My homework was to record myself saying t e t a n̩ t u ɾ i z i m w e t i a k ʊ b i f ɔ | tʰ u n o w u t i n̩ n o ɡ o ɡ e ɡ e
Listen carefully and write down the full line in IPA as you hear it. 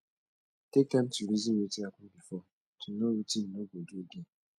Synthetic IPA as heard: t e k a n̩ t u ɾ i z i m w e t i a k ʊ b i f ɔ | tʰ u n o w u t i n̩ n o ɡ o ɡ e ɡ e

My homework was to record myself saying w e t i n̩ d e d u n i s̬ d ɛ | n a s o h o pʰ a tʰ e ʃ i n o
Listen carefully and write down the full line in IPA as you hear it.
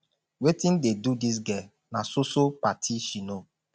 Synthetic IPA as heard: w e t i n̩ d e d u d i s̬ ɡ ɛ | n a s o s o p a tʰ i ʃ i n o

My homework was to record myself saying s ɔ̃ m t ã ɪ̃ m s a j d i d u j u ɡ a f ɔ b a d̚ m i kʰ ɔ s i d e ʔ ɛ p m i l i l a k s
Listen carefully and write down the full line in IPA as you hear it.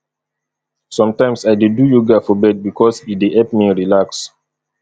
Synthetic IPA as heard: s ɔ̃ m t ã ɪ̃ m s a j d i d u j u ɡ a f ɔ b ɛ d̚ b i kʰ ɔ s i d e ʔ ɛ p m i ɹ i l a k s

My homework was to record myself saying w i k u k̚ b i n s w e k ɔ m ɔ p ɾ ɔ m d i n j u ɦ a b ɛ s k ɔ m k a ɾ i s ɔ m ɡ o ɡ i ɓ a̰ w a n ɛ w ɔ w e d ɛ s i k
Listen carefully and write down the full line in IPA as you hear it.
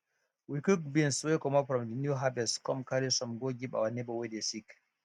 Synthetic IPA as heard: w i k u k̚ b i n s w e k ɔ m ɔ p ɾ ɔ m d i n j u ɦ a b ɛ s k ɔ m k a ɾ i s ɔ m ɡ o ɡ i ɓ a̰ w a n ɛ b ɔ w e d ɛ s i k

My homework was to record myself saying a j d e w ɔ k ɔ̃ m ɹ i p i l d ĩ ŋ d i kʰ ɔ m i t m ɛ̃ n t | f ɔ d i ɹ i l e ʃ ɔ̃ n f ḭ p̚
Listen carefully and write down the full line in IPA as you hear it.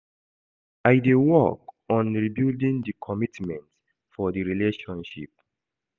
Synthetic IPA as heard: a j d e w ɔ k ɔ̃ n ɹ i b i l d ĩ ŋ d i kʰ ɔ m i t m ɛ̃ n t | f ɔ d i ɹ i l e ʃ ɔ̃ n ʃ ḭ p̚

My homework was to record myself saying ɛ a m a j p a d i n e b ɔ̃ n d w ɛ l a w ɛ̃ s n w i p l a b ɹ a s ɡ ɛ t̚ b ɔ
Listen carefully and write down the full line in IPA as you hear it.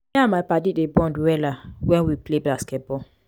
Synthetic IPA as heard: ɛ a m a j p a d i d e b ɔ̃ n d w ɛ l a w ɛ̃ n w i p l e b l a s k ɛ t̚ b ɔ

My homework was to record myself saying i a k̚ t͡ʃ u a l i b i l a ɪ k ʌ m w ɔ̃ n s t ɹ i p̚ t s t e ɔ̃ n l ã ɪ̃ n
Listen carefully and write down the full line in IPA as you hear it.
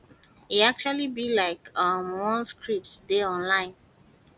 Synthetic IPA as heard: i a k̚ t͡ʃ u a l i b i l a ɪ k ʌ m w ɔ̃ n s k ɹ i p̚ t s d e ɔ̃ n l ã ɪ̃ n

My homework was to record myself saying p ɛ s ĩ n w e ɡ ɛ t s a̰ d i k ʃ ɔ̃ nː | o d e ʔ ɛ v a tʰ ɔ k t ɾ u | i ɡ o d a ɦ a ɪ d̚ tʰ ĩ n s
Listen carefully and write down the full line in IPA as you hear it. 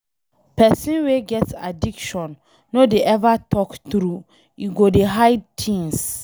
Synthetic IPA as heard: p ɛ s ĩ n w e ɡ ɛ t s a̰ d i k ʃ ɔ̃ nː | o d e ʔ ɛ v a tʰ ɔ k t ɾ u | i ɡ o d e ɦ a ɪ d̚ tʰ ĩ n s

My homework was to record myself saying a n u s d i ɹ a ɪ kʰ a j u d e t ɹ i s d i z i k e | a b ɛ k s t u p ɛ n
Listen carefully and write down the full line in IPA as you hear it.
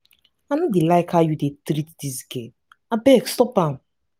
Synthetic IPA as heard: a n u d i l a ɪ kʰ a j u d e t ɾ i t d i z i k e | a b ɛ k s t ɔ p a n

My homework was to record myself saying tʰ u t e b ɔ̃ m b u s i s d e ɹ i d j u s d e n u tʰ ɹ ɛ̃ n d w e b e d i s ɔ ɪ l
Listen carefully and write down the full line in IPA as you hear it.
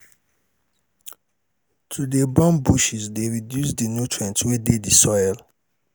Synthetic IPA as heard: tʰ u d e b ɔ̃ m b u ʃ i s d e ɹ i d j u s d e n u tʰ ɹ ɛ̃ n t w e d e d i s ɔ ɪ l

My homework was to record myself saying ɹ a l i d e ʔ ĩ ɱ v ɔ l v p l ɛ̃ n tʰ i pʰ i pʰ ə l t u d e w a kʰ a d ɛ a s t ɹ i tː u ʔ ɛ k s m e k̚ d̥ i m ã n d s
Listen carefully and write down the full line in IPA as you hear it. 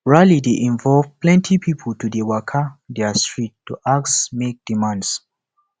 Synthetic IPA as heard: ɹ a l i d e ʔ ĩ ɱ v ɔ l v p l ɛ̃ n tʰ i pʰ i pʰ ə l t u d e w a kʰ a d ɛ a s t ɹ i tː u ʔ a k s m e k̚ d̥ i m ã n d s

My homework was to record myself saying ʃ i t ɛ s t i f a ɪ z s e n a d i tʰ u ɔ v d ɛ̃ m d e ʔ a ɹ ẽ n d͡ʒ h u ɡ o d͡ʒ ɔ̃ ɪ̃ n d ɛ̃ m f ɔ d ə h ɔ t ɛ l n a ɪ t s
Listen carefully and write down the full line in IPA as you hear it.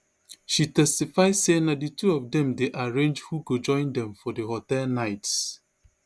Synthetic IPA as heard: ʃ i t ɛ s t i f a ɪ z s e n a d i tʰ u ɔ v d ɛ̃ m d e ʔ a ɹ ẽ n d͡ʒ h u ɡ o d͡ʒ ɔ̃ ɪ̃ n d ɛ̃ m f ɔ d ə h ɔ t ɛ l n a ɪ t s

